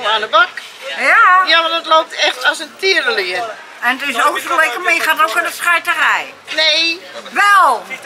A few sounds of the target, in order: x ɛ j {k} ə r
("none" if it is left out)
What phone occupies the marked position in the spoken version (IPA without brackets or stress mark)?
t